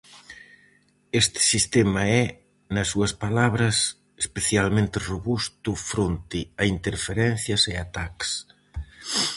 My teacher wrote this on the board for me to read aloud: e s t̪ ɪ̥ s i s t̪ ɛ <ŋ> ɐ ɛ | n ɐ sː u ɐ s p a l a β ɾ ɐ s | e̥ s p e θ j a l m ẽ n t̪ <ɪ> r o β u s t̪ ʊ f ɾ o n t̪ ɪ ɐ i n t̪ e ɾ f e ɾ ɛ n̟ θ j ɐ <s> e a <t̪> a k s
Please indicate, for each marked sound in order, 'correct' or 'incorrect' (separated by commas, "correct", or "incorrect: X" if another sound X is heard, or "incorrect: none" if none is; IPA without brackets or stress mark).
incorrect: m, correct, correct, correct